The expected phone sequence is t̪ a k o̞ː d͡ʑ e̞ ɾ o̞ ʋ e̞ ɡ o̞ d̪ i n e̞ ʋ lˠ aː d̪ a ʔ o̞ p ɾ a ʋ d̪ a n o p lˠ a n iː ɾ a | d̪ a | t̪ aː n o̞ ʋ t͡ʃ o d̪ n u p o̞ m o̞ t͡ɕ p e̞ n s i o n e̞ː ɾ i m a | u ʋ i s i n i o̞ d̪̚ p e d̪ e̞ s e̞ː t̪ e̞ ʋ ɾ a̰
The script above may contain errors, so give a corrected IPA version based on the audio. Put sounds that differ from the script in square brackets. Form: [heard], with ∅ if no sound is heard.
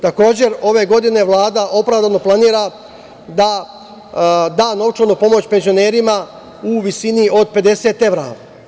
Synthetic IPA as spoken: t̪ a k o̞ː d͡ʑ e̞ ɾ o̞ ʋ e̞ ɡ o̞ d̪ i n e̞ ʋ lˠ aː d̪ a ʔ o̞ p ɾ a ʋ d̪ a n o p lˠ a n iː ɾ a | d̪ a | [d̪] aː n o̞ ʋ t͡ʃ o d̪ n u p o̞ m o̞ t͡ɕ p e̞ n [z] i o n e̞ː ɾ i m a | u ʋ i s i n i o̞ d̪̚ p e d̪ e̞ s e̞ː t̪ e̞ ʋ ɾ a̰